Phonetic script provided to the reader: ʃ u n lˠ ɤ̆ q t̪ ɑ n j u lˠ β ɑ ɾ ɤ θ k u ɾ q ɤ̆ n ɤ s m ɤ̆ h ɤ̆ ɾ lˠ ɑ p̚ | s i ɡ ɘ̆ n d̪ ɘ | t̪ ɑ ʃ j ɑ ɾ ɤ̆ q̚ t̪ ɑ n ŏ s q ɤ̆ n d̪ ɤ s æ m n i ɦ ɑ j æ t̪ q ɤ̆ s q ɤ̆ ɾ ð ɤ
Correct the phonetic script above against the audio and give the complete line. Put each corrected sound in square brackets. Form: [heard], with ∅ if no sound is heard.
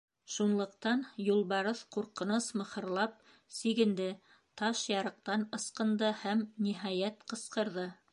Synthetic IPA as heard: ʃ u n lˠ ɤ̆ q t̪ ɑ n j u lˠ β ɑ ɾ ɤ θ [q] u ɾ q ɤ̆ n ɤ s m ɤ̆ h ɤ̆ ɾ lˠ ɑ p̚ | s i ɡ ɘ̆ n d̪ ɘ | t̪ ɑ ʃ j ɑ ɾ ɤ̆ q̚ t̪ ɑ n [ɤ̆] s q ɤ̆ n d̪ ɤ [h] æ m n i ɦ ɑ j æ t̪ q ɤ̆ s q ɤ̆ ɾ ð ɤ